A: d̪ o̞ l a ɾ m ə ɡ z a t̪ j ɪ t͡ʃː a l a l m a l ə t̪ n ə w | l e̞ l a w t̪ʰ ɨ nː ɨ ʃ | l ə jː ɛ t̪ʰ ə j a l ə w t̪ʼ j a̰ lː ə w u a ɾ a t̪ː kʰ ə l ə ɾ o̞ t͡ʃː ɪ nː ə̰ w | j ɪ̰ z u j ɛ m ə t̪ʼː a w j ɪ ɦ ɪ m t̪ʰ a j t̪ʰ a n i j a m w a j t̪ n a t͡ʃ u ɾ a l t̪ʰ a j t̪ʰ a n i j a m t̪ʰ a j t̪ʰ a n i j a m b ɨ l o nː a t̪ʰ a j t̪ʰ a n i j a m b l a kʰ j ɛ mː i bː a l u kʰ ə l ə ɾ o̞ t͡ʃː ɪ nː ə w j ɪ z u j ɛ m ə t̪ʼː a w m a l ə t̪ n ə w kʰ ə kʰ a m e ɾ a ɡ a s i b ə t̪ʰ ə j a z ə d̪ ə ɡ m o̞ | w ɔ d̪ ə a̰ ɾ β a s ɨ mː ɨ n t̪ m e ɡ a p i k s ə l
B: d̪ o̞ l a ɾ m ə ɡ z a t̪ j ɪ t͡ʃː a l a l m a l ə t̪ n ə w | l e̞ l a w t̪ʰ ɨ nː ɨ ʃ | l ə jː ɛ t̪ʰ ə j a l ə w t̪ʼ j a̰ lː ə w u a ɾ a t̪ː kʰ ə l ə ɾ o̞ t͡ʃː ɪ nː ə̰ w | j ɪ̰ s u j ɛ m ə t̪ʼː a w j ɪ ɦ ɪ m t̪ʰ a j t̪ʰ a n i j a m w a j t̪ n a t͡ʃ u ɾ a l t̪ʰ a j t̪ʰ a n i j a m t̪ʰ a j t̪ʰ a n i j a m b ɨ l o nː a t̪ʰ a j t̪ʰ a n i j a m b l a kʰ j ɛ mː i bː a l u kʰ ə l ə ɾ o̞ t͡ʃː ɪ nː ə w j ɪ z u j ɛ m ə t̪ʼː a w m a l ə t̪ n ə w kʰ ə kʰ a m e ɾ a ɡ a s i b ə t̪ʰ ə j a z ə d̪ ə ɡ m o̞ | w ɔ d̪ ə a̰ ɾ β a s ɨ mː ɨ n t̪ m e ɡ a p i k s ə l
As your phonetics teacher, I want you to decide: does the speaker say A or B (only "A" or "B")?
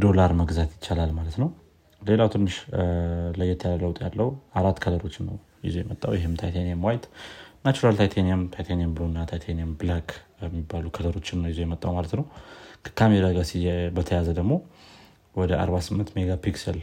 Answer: A